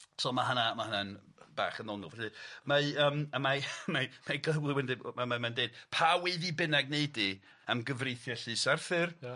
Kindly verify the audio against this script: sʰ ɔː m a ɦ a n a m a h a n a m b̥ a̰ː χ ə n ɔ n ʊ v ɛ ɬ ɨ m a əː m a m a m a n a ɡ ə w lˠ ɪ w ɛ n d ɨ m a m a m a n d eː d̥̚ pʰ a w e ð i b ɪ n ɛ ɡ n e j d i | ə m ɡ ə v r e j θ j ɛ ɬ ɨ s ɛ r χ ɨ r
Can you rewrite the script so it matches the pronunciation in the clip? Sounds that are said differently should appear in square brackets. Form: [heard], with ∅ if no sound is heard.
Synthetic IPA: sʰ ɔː m a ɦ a n a m a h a n a [n] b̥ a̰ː χ ə n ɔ n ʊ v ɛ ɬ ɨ m a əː m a m a m a [m] a ɡ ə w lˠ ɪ w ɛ n d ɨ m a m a m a n d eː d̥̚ pʰ a w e ð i b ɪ n ɛ ɡ n e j d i | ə m ɡ ə v r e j θ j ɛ ɬ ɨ s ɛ r [θ] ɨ r

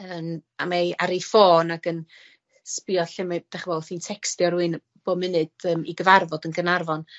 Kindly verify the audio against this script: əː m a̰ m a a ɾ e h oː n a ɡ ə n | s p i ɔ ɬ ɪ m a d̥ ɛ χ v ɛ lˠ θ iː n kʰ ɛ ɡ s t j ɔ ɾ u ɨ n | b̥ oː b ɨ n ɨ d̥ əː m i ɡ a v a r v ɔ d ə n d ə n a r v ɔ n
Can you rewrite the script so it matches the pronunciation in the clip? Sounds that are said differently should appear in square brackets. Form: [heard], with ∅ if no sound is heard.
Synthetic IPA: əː m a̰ m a a ɾ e [f] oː n a ɡ ə n | s p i ɔ ɬ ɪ m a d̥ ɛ χ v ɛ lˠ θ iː n [tʰ] ɛ [k] s t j ɔ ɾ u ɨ n | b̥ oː [m] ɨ n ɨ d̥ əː m i ɡ [ə] v a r v ɔ d ə n [ɡ] ə n a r v ɔ n

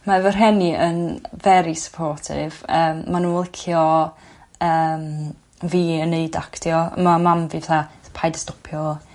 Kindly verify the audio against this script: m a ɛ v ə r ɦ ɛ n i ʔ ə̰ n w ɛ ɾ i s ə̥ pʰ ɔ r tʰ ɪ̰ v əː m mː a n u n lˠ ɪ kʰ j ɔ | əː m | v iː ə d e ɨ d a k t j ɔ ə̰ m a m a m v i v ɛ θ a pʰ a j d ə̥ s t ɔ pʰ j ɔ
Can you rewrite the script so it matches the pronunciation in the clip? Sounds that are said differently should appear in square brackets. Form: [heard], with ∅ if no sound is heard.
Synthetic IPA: m a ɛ v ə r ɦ ɛ n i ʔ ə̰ n [v] ɛ ɾ i s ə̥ pʰ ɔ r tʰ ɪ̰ v əː m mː a n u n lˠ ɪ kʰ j ɔ | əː m | v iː ə [n] e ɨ d a k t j ɔ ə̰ m a m a m v i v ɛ θ a pʰ a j d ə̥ s t ɔ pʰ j ɔ

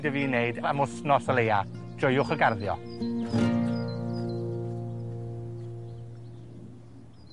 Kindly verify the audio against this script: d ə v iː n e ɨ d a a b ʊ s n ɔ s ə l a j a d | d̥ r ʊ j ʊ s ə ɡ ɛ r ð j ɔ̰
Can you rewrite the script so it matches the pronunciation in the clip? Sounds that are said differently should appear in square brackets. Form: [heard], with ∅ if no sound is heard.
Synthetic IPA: d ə v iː n e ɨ d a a [m] ʊ s n ɔ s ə l [e] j a [∅] | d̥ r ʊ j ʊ [χ] ə ɡ [a] r ð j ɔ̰

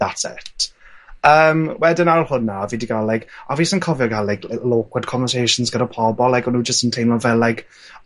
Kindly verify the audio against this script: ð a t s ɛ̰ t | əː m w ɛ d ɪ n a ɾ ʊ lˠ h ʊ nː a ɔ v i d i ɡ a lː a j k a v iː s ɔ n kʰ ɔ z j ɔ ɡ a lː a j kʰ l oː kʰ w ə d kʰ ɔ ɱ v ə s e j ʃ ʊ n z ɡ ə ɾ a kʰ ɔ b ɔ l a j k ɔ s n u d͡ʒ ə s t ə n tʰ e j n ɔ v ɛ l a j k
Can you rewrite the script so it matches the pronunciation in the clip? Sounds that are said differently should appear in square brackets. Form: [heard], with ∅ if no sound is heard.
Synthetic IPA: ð a t s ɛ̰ t | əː m w ɛ d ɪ n a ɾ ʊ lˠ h ʊ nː a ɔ v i d i ɡ a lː a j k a v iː s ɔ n kʰ ɔ [v] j ɔ ɡ a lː a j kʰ l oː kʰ w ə d kʰ ɔ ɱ v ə s e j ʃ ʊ n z ɡ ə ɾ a [pʰ] ɔ b ɔ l a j k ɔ [∅] n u d͡ʒ ə s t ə n tʰ e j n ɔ v ɛ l a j k

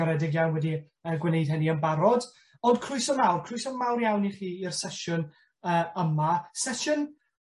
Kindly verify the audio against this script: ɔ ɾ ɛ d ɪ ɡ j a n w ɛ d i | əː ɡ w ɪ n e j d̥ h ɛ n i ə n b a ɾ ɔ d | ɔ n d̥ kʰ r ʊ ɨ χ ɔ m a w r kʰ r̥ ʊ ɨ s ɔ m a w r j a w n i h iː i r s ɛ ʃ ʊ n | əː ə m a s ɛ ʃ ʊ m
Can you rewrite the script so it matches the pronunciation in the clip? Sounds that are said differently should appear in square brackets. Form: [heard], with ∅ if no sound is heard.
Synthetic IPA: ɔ ɾ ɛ d ɪ ɡ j a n w ɛ d i | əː ɡ w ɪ n e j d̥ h ɛ n i ə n b a ɾ ɔ d | ɔ n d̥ kʰ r ʊ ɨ [s] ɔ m a w r kʰ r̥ ʊ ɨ s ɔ m a w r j a w n i [χ] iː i r s ɛ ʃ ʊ n | əː ə m a s ɛ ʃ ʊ [n]

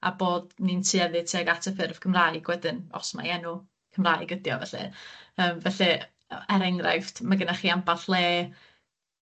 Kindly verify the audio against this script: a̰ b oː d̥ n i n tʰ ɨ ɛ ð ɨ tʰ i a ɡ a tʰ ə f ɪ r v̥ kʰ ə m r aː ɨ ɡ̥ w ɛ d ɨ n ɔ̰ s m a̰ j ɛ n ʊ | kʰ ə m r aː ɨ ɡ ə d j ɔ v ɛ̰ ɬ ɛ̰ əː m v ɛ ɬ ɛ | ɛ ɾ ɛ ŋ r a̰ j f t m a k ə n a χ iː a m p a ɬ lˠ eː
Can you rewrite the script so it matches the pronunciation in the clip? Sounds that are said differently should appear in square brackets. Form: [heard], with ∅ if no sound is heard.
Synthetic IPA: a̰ b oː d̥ n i n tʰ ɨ ɛ ð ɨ tʰ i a ɡ a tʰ ə f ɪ r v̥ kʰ ə m r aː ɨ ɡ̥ w ɛ d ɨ n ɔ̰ s m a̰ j ɛ n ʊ | kʰ ə m r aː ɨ ɡ ə d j ɔ v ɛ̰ ɬ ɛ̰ əː m v ɛ ɬ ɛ | ɛ ɾ ɛ ŋ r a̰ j f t m a [ɡ] ə n a χ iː a m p a ɬ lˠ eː

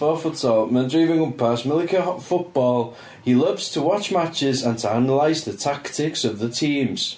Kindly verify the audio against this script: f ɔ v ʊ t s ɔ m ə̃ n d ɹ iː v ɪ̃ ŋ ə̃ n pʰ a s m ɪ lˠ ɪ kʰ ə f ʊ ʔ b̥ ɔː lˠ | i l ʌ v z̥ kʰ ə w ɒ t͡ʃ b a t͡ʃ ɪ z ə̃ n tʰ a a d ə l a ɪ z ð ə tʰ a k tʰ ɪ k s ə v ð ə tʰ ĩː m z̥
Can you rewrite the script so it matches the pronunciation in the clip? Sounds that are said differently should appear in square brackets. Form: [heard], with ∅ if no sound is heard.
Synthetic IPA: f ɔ [f] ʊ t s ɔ m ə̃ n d ɹ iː v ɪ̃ ŋ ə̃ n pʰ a s m ɪ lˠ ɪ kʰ ə f ʊ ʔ b̥ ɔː lˠ | i l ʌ v z̥ [tʰ] ə w ɒ t͡ʃ [m] a t͡ʃ ɪ z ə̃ n tʰ [ə] a [n] ə l a ɪ z ð ə tʰ a k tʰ ɪ k s ə v ð ə tʰ ĩː m z̥

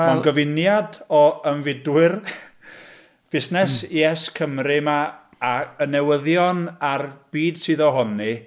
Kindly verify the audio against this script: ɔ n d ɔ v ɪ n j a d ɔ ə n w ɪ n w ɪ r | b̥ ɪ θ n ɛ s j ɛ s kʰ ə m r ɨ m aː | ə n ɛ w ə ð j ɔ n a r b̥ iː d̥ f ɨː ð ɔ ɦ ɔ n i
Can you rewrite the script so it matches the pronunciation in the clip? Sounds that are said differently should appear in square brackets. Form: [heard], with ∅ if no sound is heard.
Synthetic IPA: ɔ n [ɡ] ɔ v ɪ n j a d ɔ ə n [v] ɪ [d] w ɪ r | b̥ ɪ [s] n ɛ s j ɛ s kʰ ə m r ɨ m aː | ə n ɛ w ə ð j ɔ n a r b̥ iː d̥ [s] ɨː ð ɔ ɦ ɔ n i

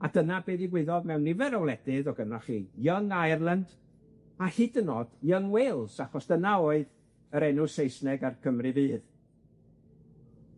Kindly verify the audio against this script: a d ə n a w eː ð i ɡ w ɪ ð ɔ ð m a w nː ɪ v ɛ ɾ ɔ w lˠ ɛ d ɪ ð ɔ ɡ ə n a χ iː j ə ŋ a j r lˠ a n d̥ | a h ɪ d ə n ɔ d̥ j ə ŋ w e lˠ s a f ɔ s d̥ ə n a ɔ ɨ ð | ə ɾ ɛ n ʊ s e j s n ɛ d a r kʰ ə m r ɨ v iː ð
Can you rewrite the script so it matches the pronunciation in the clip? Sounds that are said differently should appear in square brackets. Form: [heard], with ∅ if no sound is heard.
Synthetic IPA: a d ə n a [b] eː ð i ɡ w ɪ ð ɔ ð m [ɛ] w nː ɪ v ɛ ɾ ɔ w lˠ ɛ d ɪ ð ɔ ɡ ə n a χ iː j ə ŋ a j r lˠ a n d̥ | a h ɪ d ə n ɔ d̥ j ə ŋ w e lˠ s a [χ] ɔ s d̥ ə n a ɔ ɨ ð | ə ɾ ɛ n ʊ s e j s n ɛ [ɡ] a r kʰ ə m r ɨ v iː ð

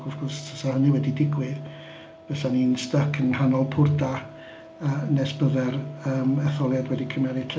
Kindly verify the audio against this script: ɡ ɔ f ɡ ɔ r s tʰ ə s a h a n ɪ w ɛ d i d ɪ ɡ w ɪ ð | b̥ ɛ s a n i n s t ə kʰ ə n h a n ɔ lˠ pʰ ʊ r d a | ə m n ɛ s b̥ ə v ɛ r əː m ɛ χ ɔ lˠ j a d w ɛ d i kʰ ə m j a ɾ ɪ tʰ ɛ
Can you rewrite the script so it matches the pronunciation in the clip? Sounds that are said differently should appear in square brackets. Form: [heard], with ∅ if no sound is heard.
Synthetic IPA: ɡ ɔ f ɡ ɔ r s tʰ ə s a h [ə] n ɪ w ɛ d i d ɪ ɡ w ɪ ð | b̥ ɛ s a n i n s t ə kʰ ə n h a n ɔ lˠ pʰ ʊ r d a | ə [∅] n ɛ s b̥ ə [ð] ɛ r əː m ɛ [θ] ɔ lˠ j a d w ɛ d i kʰ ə m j a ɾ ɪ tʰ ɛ

